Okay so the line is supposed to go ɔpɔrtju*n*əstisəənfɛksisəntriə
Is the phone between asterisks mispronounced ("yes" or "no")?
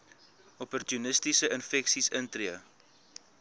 no